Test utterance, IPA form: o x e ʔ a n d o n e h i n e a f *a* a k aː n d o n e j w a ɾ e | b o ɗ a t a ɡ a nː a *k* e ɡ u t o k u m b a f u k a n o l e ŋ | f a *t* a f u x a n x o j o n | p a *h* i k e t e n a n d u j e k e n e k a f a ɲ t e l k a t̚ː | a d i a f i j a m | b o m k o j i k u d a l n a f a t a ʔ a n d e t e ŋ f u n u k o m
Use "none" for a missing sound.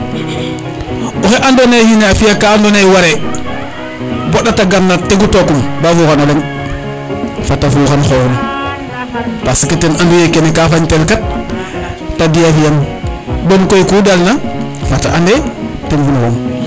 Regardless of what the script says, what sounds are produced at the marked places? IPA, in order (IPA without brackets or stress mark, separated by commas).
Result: i, t, t, s